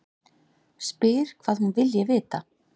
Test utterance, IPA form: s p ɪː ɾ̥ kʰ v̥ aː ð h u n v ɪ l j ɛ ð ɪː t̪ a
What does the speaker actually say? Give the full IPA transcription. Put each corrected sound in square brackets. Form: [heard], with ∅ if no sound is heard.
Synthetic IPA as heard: s p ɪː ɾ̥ kʰ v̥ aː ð h u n v ɪ l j ɛ [v] ɪː t̪ a